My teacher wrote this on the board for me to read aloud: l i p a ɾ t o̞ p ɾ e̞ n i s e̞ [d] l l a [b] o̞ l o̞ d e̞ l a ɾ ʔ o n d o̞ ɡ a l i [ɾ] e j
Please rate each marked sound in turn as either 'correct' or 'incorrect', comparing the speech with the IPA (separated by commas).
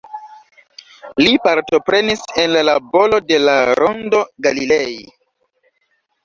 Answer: incorrect, correct, incorrect